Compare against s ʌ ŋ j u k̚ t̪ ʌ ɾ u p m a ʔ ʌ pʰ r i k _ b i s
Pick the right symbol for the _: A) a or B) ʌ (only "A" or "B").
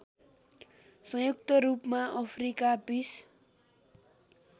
A